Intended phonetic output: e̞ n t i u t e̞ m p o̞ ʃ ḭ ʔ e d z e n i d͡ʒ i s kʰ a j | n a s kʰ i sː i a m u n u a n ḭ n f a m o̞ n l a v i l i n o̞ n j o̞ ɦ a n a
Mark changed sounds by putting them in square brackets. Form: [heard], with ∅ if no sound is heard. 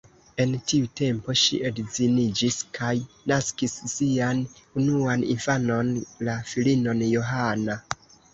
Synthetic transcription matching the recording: e̞ n t i u t e̞ m p o̞ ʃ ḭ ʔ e d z [i] n i d͡ʒ i s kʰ a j | n a s [k] i sː i a [n] u n u a n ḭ n f a [n] o̞ n l a [f] i l i n o̞ n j o̞ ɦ a n a